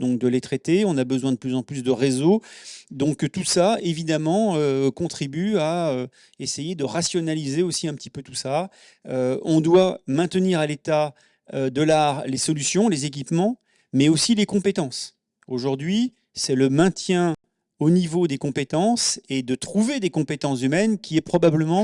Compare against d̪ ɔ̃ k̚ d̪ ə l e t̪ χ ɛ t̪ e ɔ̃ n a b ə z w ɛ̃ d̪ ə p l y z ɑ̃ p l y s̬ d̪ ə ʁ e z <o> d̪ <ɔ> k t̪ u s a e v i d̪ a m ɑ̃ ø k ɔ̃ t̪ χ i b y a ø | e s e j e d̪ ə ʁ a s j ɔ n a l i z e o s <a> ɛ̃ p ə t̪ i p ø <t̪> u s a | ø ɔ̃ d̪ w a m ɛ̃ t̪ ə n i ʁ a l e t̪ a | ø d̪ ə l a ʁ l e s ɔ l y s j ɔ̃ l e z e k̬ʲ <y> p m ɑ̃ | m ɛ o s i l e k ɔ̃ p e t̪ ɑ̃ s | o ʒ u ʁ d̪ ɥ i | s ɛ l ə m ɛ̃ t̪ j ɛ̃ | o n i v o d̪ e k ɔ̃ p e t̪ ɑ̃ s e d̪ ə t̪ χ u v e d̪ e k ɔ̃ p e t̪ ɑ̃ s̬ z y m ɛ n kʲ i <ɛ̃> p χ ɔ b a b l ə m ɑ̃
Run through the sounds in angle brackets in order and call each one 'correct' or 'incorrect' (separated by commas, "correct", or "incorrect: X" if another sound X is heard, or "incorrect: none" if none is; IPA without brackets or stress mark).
correct, incorrect: ɔ̃, incorrect: i, correct, incorrect: i, incorrect: ɛ